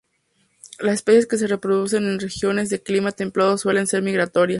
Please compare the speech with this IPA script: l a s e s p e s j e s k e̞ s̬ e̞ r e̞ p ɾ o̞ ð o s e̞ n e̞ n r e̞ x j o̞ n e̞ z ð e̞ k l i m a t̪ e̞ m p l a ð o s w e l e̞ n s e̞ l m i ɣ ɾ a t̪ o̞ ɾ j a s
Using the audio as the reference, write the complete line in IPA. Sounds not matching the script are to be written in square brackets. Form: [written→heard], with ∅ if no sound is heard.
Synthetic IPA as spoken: l a s e s p e s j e s k e̞ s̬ e̞ r e̞ p ɾ o̞ ð [o→u] s e̞ n e̞ n r e̞ x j o̞ n e̞ z ð e̞ k l i m a t̪ e̞ m p l a ð o s w e l e̞ n s e̞ [l→ɾ] m i ɣ ɾ a t̪ o̞ ɾ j a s